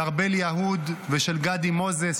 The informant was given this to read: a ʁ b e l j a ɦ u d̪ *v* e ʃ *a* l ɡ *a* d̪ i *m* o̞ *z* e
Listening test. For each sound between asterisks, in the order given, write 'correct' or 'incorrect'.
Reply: correct, incorrect: e, correct, correct, correct

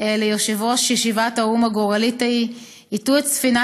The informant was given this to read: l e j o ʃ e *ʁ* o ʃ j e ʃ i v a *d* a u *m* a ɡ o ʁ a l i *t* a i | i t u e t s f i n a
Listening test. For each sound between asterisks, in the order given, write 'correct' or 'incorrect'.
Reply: incorrect: v, incorrect: t, correct, correct

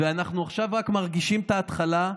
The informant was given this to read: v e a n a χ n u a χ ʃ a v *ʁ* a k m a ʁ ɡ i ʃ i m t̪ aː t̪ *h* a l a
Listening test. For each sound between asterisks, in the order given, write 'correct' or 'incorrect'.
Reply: correct, incorrect: χ

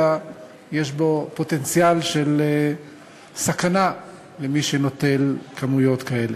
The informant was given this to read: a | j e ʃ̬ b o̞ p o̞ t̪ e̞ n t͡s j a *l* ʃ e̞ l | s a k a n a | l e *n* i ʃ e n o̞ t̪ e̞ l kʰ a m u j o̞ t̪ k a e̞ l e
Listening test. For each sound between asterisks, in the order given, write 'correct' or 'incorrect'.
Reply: correct, incorrect: m

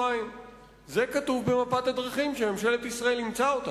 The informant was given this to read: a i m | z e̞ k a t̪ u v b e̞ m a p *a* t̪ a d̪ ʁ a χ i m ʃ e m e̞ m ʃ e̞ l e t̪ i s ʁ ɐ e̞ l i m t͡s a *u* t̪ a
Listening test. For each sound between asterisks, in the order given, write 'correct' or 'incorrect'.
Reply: correct, incorrect: o

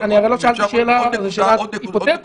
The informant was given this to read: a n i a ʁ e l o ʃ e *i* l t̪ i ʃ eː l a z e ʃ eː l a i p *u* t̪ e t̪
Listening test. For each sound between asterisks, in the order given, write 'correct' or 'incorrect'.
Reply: incorrect: a, incorrect: o

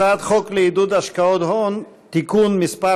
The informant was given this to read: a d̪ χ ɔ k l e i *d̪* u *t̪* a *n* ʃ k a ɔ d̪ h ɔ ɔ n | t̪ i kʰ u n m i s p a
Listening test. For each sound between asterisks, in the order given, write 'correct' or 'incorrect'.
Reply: correct, incorrect: d̪, incorrect: none

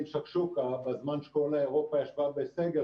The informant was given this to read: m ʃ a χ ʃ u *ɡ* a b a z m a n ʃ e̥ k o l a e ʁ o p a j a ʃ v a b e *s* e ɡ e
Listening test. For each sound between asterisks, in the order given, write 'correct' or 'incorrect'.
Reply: incorrect: k, correct

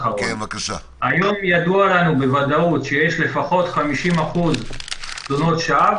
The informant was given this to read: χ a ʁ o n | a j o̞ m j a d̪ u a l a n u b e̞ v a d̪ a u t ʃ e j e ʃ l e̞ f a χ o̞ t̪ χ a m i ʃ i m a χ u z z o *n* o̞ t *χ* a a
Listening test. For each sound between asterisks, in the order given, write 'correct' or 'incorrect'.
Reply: correct, incorrect: ʃ

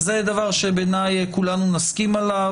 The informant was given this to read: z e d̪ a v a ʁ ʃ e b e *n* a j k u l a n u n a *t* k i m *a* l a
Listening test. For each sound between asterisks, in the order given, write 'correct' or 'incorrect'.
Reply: correct, incorrect: s, correct

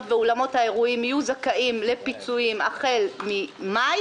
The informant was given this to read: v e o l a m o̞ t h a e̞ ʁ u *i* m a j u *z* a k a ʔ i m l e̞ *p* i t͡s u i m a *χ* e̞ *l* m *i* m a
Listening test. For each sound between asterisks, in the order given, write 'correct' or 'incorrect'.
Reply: correct, correct, correct, correct, correct, correct

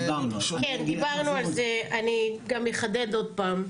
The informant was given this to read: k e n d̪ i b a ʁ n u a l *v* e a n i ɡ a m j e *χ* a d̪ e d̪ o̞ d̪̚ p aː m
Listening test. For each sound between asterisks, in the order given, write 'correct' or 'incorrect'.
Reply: incorrect: z, correct

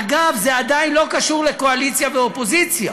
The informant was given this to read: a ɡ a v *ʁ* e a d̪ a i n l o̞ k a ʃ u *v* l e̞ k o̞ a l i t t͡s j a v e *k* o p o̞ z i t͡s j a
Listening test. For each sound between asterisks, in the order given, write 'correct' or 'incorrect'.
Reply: incorrect: z, incorrect: ʁ, incorrect: none

